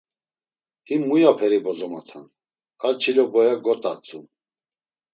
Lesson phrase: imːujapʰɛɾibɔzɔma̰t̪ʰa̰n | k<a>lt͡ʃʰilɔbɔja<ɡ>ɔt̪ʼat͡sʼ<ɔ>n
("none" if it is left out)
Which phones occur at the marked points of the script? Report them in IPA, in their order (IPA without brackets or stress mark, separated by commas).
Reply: a, ɡ, u